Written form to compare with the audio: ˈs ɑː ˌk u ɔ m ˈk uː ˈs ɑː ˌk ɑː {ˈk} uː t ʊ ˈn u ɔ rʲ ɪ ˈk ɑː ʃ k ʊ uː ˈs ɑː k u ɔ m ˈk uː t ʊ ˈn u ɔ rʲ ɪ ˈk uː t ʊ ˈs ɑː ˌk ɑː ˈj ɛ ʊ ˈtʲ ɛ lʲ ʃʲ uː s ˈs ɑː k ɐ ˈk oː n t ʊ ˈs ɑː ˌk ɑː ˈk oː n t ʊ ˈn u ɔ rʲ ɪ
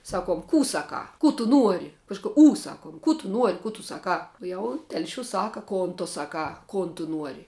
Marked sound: correct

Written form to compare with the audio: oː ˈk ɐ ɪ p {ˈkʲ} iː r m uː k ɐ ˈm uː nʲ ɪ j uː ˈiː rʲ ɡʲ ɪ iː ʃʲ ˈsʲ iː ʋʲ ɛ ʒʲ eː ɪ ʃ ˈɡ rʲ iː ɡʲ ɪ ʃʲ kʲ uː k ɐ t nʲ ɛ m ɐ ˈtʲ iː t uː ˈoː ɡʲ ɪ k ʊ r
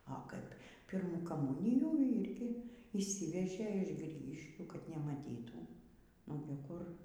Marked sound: incorrect: pʲ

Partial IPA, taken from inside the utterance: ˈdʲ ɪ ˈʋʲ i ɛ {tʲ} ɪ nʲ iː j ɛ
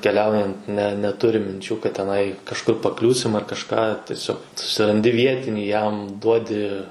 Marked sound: correct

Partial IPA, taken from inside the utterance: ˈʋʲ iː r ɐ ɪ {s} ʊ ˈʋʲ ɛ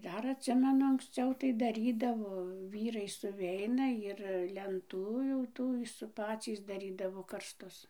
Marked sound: correct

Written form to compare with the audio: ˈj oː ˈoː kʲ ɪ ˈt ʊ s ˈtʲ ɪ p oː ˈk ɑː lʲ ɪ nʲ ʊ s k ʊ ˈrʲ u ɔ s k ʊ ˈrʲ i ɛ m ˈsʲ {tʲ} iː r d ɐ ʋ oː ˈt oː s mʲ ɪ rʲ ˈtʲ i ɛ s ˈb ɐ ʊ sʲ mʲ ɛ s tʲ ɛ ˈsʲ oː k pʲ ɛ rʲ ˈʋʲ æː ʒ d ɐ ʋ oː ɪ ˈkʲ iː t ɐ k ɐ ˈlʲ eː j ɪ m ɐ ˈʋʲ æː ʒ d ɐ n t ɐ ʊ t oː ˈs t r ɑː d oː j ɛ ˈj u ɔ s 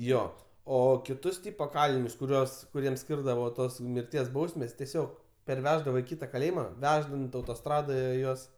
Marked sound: incorrect: kʲ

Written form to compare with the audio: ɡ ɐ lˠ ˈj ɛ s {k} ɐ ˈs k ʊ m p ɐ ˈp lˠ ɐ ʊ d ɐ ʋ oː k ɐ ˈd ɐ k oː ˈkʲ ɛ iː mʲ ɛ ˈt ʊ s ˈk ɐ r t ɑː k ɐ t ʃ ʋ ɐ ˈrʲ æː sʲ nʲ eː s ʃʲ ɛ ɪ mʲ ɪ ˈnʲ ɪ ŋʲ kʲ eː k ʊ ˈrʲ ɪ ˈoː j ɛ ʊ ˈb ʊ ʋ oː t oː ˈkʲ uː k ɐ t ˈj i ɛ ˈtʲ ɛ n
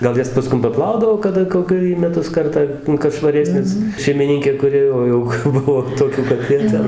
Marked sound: incorrect: p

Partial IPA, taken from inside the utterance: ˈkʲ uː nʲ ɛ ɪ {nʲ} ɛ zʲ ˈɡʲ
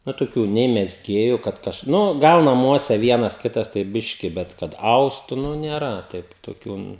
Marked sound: incorrect: mʲ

